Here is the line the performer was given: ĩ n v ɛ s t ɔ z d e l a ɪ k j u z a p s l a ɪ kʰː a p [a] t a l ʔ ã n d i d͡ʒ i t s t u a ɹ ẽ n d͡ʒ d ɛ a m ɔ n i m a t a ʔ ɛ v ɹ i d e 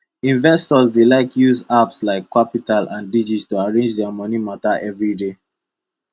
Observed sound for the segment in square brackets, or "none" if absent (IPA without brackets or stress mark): i